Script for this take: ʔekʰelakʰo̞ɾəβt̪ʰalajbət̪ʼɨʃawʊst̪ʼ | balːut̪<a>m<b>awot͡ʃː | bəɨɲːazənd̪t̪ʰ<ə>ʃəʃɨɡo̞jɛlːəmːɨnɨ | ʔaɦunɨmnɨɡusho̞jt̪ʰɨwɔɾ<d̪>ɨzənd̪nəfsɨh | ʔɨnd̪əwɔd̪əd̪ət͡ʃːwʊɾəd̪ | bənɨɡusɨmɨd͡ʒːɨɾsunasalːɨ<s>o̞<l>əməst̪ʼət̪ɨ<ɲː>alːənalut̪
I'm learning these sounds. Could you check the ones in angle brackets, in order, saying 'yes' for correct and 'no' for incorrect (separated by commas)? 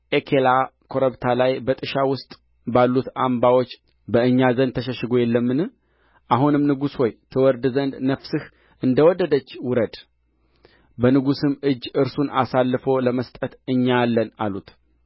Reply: yes, yes, yes, yes, no, yes, yes